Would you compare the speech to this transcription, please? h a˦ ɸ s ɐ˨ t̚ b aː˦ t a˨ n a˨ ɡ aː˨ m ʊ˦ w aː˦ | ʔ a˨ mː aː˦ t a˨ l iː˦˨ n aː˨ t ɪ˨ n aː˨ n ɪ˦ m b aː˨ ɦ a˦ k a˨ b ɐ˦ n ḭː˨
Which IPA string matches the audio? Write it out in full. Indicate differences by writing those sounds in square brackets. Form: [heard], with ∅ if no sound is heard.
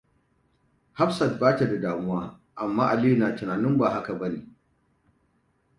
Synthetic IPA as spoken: h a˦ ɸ s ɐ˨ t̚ b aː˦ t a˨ [d] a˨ [d] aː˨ m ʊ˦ w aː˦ | ʔ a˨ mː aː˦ [ʔ] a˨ l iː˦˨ n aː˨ t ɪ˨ n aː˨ n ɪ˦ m b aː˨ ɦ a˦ k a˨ b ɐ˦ n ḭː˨